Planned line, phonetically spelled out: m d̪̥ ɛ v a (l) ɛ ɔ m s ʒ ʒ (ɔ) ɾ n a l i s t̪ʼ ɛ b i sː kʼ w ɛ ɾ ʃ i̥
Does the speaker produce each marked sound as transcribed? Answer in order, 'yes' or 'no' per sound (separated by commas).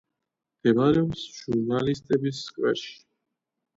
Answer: no, no